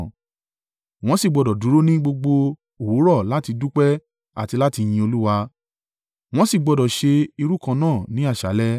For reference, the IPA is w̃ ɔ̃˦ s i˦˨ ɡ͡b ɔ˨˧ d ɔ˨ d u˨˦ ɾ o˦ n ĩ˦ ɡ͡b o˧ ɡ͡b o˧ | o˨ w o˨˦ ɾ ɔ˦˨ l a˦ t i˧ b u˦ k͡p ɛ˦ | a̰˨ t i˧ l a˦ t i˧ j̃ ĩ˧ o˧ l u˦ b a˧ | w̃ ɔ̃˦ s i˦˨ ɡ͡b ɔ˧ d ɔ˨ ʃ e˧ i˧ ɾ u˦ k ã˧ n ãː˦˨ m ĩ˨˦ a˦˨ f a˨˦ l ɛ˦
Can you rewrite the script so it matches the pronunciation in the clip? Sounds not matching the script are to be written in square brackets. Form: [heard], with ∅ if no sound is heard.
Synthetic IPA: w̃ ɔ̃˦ s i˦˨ ɡ͡b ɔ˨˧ d ɔ˨ d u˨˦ ɾ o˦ n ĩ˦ ɡ͡b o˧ ɡ͡b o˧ | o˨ w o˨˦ ɾ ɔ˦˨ l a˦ t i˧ [d] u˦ k͡p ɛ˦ | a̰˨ t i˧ l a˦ t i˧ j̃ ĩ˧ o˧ l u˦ [w] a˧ | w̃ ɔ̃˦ s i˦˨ ɡ͡b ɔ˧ d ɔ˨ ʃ e˧ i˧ ɾ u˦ k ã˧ n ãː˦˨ [n] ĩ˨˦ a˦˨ [ʃ] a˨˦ l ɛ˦